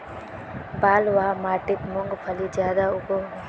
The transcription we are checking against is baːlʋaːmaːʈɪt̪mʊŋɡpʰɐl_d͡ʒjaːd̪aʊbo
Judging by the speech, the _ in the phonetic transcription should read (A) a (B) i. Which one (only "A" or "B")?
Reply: B